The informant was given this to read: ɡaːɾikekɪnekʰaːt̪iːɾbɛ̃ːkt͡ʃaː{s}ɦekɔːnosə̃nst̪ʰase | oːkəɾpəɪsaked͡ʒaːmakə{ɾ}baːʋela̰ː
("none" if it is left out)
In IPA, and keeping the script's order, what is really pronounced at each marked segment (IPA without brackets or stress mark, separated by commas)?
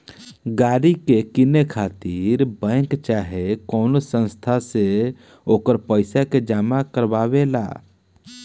none, ɾ